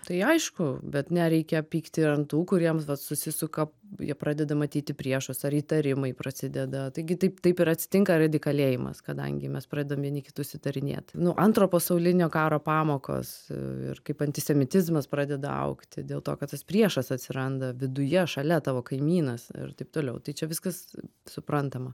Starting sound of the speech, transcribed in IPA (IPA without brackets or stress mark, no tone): t̪